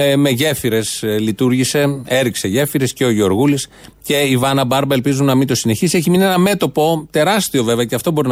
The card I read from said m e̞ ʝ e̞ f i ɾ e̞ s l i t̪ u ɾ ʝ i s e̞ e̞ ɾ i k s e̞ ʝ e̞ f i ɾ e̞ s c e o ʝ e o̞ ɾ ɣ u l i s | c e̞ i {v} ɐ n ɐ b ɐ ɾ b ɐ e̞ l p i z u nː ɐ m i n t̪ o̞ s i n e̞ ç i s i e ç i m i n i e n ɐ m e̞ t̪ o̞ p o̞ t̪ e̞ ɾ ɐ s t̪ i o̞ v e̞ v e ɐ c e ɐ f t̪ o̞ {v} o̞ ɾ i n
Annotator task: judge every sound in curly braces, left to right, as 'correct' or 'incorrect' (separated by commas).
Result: correct, incorrect